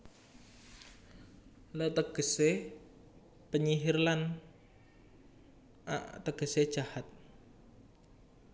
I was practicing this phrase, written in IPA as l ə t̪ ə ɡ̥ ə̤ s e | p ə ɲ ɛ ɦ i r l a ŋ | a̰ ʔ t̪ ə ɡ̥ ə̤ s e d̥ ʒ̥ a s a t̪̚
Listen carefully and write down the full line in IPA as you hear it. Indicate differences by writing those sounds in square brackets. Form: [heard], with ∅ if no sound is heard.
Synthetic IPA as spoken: l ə t̪ ə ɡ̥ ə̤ s e | p ə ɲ [i] ɦ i r l a [n] | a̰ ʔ t̪ ə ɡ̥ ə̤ s e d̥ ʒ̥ a [h] a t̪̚